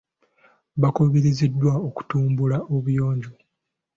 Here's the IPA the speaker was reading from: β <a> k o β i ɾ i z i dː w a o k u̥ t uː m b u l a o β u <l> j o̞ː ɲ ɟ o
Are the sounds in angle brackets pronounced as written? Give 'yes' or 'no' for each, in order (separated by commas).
yes, no